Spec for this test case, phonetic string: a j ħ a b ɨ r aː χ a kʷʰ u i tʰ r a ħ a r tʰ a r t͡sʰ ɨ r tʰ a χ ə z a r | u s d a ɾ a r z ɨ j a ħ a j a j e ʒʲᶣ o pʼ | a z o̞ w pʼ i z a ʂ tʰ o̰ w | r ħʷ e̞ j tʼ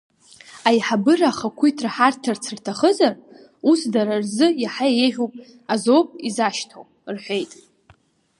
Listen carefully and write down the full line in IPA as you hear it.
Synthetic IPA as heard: a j ħ a b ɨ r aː χ a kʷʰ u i tʰ r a ħ a r tʰ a r t͡sʰ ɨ r tʰ a χ ə z a r | u s d a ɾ a r z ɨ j a ħ a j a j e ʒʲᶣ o pʼ | a z o̞ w pʼ i z a ʃ tʰ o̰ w | r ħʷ e̞ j tʼ